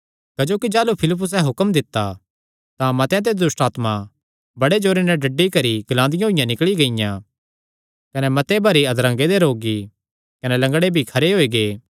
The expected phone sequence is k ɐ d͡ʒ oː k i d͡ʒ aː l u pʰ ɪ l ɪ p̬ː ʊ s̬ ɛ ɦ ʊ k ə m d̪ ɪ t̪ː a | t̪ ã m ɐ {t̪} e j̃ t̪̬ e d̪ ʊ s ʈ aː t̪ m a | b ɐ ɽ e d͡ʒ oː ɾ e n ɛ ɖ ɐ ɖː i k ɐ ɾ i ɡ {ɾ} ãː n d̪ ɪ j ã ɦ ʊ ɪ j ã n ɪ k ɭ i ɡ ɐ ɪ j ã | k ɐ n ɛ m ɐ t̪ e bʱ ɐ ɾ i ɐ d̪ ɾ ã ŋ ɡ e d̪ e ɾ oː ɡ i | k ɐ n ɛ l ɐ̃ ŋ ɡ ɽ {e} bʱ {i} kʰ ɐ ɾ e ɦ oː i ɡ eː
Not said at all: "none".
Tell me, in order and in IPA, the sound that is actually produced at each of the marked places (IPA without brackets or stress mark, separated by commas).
t̪, l, e, i